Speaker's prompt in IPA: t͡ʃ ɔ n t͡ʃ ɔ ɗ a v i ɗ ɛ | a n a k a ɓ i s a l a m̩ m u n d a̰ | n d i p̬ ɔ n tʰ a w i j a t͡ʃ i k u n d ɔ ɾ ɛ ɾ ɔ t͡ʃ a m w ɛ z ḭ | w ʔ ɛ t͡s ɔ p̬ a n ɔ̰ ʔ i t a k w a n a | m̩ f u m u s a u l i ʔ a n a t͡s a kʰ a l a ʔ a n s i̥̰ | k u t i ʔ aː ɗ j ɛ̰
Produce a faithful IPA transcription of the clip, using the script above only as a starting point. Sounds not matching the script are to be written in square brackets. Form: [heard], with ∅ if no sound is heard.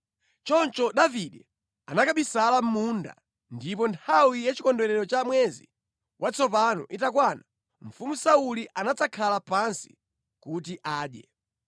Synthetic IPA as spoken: t͡ʃ ɔ n t͡ʃ ɔ ɗ a v i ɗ ɛ | a n a k a ɓ i s a l a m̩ m u n d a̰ | n d i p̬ ɔ n tʰ a w i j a t͡ʃ i k [ɔ] n d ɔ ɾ ɛ ɾ ɔ t͡ʃ a m w ɛ z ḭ | w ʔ [a] t͡s ɔ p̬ a n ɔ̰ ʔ i t a k w a n a | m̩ f u m u s a u l i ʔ a n a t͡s a kʰ a l a [p] a n s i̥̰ | k u t i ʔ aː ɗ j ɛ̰